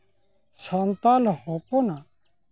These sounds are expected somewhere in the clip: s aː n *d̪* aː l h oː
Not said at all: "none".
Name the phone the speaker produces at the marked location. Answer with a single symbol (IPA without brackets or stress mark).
t̪